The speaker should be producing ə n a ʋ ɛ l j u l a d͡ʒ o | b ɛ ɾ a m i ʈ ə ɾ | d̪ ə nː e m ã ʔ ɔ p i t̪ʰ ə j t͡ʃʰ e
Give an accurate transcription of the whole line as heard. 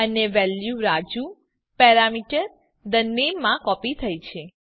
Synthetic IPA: ə n e ʋ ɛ l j u ɾ a d͡ʒ u | p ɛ ɾ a m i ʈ ə ɾ | d̪ ə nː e m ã k ɔ p i t̪ʰ ə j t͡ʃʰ e